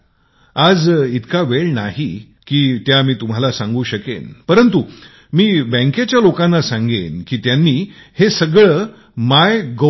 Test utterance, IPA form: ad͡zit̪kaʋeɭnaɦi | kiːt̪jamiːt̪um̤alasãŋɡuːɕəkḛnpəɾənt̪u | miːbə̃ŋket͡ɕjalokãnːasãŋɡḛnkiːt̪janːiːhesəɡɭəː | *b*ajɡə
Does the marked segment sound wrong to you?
yes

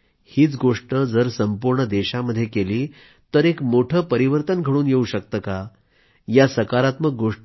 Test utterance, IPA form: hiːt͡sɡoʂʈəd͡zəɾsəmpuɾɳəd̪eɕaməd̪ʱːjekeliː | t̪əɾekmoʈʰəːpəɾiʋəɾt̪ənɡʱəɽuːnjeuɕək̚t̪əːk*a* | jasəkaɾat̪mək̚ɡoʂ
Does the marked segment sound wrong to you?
no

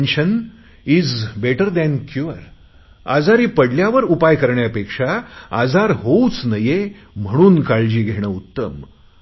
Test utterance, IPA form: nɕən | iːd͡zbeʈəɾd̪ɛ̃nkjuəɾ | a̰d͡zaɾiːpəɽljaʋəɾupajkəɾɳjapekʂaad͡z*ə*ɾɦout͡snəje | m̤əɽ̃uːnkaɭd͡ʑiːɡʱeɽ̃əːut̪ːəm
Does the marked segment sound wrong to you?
yes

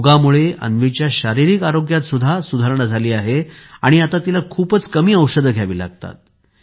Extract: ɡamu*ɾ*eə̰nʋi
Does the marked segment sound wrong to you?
yes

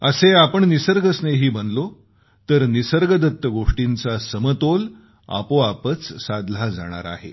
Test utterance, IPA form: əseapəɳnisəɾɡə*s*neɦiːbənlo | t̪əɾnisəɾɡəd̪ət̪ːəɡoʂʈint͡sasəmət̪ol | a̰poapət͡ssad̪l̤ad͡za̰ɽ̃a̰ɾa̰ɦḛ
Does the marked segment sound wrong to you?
no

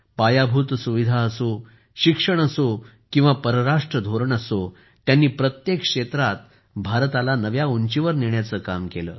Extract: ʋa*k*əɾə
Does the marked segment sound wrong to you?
yes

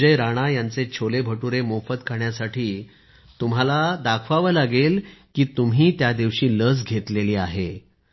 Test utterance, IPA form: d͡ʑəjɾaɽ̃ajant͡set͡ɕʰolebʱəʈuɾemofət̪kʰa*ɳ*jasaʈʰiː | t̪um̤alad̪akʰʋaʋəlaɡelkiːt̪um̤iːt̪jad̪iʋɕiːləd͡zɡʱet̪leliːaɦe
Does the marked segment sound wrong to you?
no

